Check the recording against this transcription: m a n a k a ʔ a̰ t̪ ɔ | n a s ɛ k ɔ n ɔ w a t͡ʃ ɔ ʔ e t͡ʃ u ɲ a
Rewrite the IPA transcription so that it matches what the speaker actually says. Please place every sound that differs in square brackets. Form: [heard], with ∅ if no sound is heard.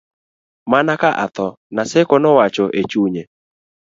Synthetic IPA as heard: m a n a k a ʔ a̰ t̪ ɔ | n a s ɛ k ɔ n ɔ w a t͡ʃ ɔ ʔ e t͡ʃ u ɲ [e]